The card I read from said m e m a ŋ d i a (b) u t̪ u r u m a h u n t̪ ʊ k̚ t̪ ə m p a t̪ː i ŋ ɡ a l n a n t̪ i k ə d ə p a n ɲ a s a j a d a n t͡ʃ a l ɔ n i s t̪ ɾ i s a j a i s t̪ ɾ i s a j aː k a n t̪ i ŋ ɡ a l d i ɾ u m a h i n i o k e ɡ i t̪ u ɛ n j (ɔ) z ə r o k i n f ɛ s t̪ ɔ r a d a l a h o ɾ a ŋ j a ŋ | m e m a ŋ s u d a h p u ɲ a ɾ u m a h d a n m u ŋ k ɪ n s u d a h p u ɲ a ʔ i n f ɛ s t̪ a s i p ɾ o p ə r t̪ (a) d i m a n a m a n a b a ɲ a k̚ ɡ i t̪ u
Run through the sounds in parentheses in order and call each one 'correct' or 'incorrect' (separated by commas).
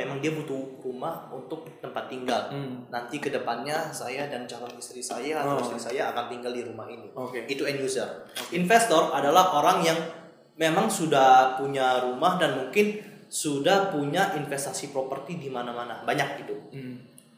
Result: correct, incorrect, incorrect